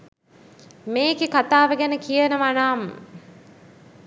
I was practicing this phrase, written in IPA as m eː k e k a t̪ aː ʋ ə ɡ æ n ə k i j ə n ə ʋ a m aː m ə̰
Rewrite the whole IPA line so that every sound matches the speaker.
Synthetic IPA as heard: m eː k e k a t̪ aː ʋ ə ɡ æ n ə k i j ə n ə ʋ a n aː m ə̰